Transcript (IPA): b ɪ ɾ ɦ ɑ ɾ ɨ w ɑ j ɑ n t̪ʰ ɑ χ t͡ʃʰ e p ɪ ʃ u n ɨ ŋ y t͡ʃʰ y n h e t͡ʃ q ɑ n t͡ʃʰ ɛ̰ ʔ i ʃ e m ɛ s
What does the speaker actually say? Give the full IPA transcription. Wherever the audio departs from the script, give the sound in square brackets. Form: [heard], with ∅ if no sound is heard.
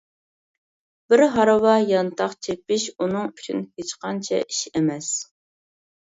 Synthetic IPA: b ɪ ɾ ɦ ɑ ɾ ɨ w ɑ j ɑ n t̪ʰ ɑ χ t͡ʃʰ e p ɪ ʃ u n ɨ ŋ y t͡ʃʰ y n h e t͡ʃ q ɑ n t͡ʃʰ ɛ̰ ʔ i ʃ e m ɛ s